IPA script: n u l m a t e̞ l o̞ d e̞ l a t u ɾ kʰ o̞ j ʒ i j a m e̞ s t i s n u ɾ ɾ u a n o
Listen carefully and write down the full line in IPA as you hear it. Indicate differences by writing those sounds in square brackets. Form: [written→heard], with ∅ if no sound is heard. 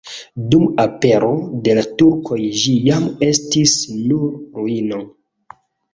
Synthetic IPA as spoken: [n→d] u [l→∅] m a [t→p] e̞ [l→ɾ] o̞ d e̞ l a t u ɾ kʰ o̞ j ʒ i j a m e̞ s t i s n u ɾ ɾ u [a→i] n o